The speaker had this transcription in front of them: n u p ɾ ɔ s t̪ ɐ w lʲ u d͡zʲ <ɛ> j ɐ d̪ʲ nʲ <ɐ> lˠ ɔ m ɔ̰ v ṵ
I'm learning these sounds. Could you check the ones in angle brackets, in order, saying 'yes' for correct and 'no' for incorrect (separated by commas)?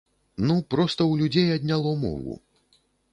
no, no